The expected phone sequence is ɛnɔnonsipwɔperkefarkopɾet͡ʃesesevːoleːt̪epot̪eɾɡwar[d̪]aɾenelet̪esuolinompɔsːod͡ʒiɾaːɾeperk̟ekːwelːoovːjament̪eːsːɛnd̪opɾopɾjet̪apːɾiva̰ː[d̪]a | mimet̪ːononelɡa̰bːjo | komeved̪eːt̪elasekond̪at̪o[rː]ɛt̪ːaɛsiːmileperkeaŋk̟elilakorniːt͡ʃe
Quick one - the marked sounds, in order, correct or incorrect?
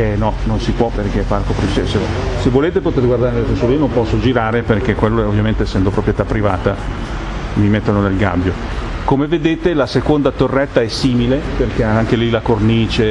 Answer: correct, incorrect, correct

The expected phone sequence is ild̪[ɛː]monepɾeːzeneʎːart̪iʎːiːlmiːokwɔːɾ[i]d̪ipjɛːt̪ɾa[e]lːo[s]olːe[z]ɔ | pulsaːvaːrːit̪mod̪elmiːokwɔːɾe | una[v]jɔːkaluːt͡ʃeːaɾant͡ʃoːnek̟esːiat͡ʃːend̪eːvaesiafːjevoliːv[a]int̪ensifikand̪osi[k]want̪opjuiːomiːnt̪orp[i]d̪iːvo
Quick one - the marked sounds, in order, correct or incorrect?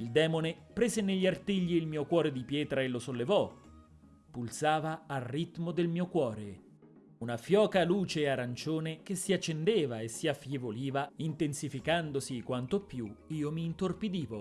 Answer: correct, incorrect, correct, correct, incorrect, incorrect, correct, correct, correct

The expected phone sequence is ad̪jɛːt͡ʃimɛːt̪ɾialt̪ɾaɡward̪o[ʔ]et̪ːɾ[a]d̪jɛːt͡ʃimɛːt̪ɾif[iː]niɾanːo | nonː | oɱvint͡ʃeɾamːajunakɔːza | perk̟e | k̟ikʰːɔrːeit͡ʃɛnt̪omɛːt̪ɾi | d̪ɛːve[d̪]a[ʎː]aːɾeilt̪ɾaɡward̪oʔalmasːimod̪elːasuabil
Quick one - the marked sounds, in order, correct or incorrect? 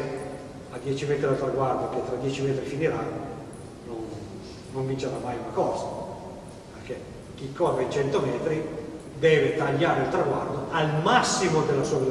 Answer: incorrect, correct, incorrect, incorrect, correct

